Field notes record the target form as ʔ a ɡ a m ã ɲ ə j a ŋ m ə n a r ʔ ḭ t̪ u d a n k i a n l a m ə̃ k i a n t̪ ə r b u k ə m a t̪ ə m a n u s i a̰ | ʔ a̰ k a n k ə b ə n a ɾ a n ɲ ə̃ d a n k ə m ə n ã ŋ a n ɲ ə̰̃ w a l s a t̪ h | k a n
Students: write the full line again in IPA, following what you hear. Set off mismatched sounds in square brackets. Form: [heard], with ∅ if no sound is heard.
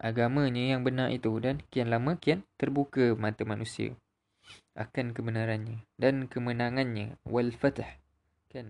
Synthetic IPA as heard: ʔ a ɡ a m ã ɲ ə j a ŋ [b] ə n a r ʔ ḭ t̪ u d a n k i a n l a m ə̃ k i a n t̪ ə r b u k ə m a t̪ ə m a n u s i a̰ | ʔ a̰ k a n k ə b ə n a ɾ a n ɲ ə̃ d a n k ə m ə n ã ŋ a n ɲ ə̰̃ w a l [f] a t̪ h | k a n